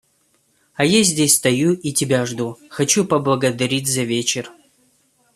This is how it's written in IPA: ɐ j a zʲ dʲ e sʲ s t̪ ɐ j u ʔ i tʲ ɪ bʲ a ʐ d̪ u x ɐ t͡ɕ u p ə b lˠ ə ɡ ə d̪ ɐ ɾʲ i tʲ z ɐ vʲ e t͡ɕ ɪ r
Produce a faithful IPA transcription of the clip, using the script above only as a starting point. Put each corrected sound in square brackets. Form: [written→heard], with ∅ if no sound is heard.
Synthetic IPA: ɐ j a zʲ dʲ e sʲ s t̪ ɐ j u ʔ i tʲ ɪ bʲ a ʐ d̪ u x ɐ t͡ɕ u p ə b lˠ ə ɡ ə d̪ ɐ ɾʲ i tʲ z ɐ vʲ e t͡ɕ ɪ r